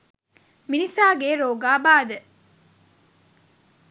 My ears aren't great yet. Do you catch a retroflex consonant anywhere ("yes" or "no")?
no